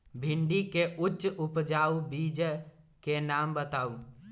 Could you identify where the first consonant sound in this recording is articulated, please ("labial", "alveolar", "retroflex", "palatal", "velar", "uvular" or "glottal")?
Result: labial